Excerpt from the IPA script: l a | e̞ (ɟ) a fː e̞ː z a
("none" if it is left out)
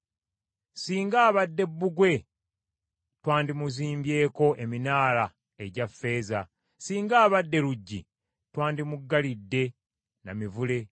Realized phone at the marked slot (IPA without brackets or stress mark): ɟ